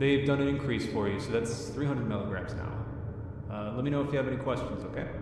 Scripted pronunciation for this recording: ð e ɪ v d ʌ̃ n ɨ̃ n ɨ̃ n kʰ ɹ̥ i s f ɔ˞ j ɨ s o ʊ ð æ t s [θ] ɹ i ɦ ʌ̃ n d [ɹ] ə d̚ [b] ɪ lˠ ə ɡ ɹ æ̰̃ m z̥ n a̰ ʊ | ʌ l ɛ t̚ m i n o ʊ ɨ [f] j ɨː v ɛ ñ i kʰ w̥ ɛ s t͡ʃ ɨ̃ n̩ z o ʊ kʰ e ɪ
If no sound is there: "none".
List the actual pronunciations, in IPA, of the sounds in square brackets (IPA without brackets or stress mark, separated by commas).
θ, ɹ, m, f